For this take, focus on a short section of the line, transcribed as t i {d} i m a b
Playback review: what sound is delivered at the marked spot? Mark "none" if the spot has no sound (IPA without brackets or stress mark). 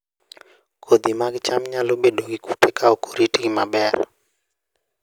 ɡ